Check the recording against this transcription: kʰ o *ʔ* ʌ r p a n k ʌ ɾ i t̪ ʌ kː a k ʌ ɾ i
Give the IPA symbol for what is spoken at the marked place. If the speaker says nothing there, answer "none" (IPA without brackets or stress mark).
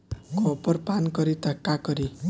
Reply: p